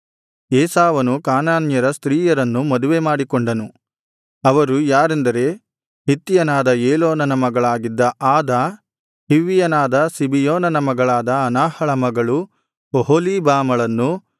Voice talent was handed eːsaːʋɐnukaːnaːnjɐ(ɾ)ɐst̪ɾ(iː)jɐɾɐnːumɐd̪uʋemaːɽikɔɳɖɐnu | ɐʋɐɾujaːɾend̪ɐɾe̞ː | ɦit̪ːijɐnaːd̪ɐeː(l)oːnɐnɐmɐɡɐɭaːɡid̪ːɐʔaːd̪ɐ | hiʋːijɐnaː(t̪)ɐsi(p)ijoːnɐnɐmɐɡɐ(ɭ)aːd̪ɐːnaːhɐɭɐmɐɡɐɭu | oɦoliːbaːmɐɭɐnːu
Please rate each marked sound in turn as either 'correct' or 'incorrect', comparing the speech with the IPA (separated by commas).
correct, correct, correct, incorrect, incorrect, correct